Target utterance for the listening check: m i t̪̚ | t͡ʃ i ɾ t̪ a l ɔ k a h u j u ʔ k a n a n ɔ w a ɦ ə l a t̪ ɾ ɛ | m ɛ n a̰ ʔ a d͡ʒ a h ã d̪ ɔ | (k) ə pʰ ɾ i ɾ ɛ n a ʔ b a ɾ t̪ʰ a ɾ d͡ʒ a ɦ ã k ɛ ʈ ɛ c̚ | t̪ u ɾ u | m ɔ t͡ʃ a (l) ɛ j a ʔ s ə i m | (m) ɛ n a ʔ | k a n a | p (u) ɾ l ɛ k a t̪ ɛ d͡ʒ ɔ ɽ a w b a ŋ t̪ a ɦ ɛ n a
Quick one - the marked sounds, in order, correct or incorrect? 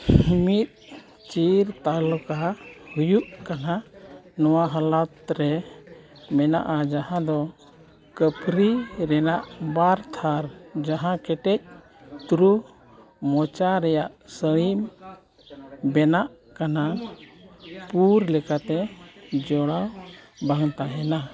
correct, incorrect, incorrect, correct

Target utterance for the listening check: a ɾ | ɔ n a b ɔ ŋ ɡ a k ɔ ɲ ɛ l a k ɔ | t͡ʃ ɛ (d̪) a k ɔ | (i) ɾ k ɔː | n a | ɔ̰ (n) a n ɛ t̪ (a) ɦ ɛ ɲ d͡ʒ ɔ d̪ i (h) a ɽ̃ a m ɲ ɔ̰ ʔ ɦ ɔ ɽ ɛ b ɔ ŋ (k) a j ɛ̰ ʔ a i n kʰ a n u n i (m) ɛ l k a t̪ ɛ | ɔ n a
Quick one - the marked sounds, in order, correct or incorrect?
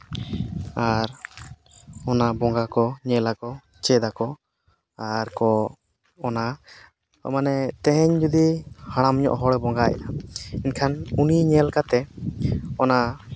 correct, incorrect, incorrect, incorrect, correct, incorrect, incorrect

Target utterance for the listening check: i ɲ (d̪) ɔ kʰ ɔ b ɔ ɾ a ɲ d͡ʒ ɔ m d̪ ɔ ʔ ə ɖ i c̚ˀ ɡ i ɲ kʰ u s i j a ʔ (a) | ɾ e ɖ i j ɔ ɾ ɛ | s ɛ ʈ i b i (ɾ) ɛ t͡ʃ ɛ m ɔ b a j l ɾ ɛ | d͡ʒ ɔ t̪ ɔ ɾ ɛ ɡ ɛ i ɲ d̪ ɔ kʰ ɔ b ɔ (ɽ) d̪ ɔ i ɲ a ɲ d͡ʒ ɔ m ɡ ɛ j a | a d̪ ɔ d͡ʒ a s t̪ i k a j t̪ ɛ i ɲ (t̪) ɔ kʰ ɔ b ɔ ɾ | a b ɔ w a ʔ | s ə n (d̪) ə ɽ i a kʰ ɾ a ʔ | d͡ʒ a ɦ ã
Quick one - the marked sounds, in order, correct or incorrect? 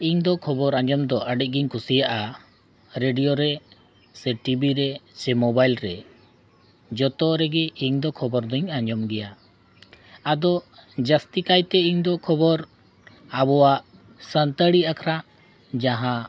correct, correct, correct, incorrect, incorrect, incorrect

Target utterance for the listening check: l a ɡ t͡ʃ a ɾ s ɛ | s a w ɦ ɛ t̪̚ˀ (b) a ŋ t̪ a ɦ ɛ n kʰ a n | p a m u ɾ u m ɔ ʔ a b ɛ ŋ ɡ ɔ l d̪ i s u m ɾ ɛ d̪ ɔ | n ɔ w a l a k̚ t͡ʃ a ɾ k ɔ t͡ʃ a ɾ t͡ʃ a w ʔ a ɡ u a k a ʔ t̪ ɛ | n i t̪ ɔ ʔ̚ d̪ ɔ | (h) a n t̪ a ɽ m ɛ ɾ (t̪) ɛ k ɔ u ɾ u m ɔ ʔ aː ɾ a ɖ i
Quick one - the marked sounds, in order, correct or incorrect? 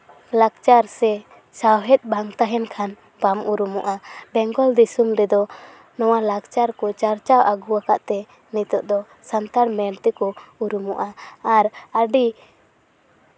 correct, incorrect, correct

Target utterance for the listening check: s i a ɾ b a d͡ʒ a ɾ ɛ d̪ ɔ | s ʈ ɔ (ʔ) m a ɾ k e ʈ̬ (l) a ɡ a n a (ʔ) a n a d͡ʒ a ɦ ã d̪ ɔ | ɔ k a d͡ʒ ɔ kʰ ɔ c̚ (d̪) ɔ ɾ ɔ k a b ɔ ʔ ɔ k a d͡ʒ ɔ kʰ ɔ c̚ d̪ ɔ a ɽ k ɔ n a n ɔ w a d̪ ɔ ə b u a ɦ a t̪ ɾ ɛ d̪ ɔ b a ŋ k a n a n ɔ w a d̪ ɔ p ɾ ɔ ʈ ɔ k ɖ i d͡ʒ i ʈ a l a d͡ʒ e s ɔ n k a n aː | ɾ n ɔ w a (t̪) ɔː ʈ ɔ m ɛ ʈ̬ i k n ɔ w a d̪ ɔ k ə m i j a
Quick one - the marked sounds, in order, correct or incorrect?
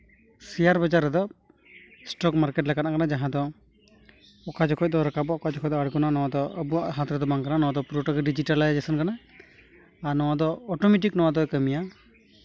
incorrect, correct, incorrect, correct, incorrect

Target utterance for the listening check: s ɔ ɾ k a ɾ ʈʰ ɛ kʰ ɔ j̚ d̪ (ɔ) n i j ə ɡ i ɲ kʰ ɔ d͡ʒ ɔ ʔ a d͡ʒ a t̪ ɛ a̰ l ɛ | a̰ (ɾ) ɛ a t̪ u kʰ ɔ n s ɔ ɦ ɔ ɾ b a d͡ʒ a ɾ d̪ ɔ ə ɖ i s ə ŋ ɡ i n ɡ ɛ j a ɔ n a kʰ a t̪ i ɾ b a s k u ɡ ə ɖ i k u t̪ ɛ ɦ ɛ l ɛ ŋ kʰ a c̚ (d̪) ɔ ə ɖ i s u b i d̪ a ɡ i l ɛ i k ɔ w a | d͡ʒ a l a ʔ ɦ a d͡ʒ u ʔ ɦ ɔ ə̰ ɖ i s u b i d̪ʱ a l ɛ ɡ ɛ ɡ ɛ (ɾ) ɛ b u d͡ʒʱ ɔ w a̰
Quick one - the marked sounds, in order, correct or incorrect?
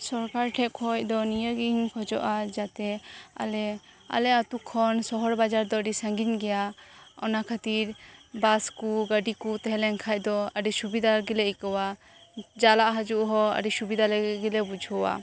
correct, incorrect, correct, incorrect

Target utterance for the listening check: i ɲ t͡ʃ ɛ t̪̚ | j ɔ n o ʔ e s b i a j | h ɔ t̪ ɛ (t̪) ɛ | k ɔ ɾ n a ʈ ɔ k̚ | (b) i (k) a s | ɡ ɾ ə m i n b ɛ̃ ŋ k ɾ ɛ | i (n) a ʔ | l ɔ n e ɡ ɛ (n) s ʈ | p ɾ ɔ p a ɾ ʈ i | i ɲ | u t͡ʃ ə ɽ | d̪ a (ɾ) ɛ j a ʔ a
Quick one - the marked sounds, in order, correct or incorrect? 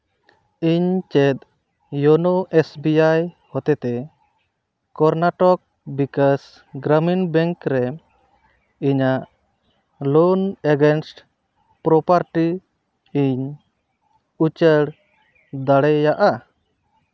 correct, correct, correct, incorrect, correct, incorrect

